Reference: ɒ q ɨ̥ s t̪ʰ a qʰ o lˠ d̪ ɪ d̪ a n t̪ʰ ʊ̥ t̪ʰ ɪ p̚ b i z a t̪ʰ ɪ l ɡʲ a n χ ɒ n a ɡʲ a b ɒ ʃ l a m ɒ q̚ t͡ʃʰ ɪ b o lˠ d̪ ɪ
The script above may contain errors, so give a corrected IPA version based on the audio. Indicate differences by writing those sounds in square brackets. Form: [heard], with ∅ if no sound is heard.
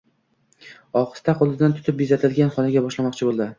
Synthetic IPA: ɒ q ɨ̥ s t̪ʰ a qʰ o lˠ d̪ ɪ d̪ a n t̪ʰ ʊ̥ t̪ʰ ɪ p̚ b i z a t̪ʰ ɪ l ɡʲ a n χ ɒ n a ɡʲ a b ɒ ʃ l a m ɒ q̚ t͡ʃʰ ɪ b o lˠ d̪ ɪ